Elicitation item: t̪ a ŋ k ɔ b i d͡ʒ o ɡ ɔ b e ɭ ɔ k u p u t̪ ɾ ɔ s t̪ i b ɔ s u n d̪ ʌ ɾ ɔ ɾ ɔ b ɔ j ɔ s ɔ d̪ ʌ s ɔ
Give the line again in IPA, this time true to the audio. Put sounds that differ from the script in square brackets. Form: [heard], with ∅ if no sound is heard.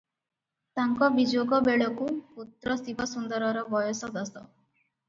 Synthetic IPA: t̪ a ŋ k ɔ b i d͡ʒ o ɡ ɔ b e ɭ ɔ k u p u t̪ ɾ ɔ s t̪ i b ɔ s u n d̪ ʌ ɾ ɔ ɾ ɔ b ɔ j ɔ s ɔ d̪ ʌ s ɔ